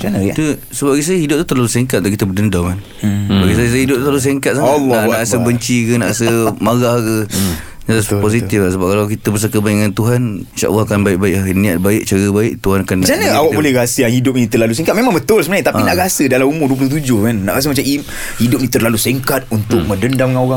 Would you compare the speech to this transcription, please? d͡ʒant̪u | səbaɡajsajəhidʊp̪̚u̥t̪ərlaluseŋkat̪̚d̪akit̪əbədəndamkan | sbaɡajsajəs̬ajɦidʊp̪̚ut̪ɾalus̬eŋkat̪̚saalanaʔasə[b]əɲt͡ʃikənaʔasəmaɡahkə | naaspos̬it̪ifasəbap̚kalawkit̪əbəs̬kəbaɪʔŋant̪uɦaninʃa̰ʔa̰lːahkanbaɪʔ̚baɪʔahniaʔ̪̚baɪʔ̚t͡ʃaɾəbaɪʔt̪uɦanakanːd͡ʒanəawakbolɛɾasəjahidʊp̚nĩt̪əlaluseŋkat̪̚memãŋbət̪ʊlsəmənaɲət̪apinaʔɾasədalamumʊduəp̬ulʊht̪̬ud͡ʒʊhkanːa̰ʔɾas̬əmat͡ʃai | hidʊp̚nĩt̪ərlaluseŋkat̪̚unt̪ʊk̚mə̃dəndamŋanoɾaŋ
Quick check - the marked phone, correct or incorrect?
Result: correct